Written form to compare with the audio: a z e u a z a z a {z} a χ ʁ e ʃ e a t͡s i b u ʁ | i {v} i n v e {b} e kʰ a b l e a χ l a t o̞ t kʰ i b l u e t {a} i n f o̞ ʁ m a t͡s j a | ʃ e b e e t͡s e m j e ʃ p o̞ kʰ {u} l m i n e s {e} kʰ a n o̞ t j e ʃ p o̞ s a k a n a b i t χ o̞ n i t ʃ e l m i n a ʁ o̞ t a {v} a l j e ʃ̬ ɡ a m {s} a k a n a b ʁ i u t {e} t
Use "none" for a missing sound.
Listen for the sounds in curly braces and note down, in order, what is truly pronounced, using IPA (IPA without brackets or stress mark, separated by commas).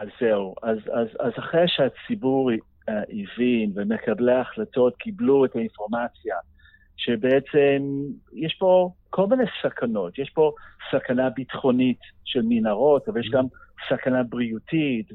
z, v, m, a, o, a, v, s, i